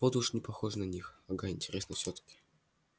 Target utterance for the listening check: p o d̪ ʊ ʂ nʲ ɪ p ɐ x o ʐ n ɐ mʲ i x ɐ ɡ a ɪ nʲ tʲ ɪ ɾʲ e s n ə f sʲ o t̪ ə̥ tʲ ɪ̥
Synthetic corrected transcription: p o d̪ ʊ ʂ nʲ ɪ p ɐ x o ʐ n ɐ nʲ i x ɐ ɡ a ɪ nʲ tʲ ɪ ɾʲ e s n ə f sʲ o t̪ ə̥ kʲ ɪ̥